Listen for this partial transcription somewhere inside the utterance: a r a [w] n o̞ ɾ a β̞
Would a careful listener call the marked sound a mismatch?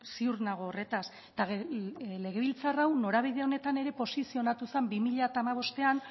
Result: no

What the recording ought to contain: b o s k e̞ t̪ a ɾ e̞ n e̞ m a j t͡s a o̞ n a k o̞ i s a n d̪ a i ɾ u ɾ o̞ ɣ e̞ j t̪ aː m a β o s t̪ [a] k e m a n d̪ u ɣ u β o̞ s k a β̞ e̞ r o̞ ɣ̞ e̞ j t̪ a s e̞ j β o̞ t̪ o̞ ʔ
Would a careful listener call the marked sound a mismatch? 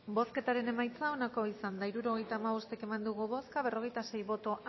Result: yes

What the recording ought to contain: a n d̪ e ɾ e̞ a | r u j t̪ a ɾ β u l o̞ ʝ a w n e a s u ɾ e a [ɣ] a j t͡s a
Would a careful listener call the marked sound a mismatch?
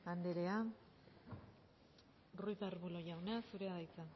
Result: yes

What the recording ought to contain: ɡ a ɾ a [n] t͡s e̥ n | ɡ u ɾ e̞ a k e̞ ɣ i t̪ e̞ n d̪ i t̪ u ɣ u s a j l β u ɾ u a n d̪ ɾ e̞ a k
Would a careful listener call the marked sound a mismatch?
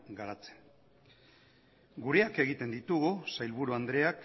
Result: yes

